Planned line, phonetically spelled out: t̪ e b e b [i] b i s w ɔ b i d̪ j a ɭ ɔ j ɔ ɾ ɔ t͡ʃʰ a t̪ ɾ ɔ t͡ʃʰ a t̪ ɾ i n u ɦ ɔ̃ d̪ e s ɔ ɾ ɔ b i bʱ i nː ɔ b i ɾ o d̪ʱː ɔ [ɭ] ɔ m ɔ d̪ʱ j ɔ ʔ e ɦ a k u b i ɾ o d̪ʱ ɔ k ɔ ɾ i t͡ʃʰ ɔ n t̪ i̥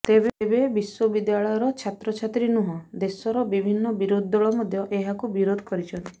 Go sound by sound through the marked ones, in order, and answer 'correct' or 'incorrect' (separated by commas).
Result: incorrect, correct